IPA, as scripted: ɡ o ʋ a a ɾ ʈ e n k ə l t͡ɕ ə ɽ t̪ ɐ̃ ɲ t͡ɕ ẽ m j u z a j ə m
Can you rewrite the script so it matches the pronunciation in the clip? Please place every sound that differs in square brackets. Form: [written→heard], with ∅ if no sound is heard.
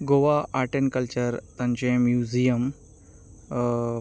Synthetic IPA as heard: ɡ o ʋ a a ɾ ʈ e n k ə l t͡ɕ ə [ɽ→ɾ] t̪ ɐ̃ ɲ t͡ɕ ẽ m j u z [a→i] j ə m